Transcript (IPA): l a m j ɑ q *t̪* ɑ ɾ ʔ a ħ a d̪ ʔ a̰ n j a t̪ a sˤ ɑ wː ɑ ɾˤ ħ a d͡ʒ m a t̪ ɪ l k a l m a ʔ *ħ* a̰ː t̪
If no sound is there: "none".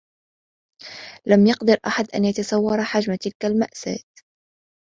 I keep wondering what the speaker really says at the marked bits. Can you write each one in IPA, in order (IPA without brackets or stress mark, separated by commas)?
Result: d̪, s